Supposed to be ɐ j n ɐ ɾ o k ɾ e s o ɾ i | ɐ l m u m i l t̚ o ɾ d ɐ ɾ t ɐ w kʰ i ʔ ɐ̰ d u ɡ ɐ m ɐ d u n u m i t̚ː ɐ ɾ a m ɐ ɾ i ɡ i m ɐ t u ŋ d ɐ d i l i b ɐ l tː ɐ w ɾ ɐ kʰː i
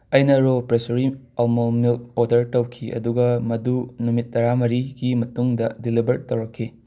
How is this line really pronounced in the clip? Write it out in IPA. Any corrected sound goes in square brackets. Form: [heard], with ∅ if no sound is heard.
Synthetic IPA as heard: ɐ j n ɐ ɾ o [p] ɾ e s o ɾ i | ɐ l m [o] m i l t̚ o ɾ d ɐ ɾ t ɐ w kʰ i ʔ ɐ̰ d u ɡ ɐ m ɐ d u n u m i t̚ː ɐ ɾ a m ɐ ɾ i ɡ i m ɐ t u ŋ d ɐ d i l i b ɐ [ɾ] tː ɐ w ɾ ɐ kʰː i